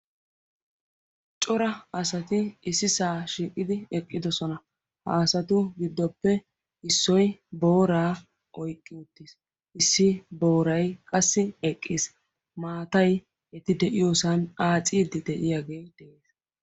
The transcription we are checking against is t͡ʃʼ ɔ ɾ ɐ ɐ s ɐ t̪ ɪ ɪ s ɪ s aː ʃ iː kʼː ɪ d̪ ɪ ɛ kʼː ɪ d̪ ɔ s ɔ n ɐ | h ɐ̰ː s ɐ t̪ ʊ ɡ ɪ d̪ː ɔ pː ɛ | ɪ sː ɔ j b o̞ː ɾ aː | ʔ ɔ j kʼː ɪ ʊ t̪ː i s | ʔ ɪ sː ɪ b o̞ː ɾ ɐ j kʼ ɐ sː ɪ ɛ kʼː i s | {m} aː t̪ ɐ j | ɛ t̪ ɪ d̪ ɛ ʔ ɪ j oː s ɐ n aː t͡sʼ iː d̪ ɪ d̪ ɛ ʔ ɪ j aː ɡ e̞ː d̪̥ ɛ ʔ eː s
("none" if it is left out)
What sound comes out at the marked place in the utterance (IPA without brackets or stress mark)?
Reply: m